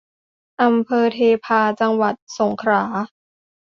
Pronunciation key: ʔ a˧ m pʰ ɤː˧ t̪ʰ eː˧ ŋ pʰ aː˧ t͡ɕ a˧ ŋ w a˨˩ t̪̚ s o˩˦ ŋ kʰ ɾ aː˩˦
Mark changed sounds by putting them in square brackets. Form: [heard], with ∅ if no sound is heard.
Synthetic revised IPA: ʔ a˧ m pʰ ɤː˧ t̪ʰ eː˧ [∅] pʰ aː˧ t͡ɕ a˧ ŋ w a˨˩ t̪̚ s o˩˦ ŋ kʰ ɾ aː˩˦